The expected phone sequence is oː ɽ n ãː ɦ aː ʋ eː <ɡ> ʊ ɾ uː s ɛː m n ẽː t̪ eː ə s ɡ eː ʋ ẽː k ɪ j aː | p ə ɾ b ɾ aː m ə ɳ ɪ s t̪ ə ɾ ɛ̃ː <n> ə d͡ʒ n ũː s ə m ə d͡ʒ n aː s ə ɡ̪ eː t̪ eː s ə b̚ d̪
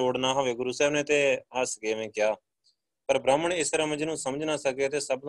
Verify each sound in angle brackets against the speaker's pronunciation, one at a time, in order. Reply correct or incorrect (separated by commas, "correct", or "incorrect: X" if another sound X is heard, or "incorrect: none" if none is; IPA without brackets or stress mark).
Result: correct, incorrect: m